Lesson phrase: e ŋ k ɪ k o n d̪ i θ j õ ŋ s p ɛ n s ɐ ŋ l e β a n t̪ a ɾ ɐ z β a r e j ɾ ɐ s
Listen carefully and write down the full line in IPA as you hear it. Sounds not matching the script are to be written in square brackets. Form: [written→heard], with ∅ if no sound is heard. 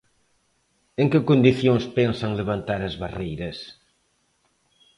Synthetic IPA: e ŋ k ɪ k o n d̪ i θ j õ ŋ s p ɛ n s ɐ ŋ l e β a n t̪ a ɾ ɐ z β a r e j ɾ ɐ s